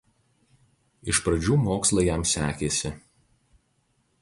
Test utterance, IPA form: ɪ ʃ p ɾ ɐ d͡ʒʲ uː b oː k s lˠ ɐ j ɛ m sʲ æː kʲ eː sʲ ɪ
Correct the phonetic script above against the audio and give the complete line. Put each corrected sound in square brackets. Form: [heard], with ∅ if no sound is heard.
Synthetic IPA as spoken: ɪ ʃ p ɾ ɐ d͡ʒʲ uː [m] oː k s lˠ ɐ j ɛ m sʲ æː kʲ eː sʲ ɪ

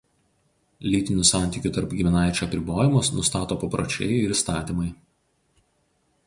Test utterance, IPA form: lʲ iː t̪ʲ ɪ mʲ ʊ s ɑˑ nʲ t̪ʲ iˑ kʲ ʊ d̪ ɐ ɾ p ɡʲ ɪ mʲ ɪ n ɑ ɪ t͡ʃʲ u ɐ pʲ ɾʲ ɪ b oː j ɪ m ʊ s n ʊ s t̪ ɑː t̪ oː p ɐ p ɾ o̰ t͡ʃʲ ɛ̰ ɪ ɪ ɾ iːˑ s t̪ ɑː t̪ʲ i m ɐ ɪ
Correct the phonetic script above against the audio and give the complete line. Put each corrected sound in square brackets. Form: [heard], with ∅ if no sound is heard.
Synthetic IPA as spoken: lʲ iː t̪ʲ ɪ [nʲ] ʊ s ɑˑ nʲ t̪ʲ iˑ kʲ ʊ [t̪] ɐ ɾ p ɡʲ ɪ mʲ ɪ n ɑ ɪ t͡ʃʲ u ɐ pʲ ɾʲ ɪ b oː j ɪ m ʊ s n ʊ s t̪ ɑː t̪ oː p ɐ p ɾ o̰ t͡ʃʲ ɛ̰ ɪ ɪ ɾ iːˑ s t̪ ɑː t̪ʲ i m ɐ ɪ

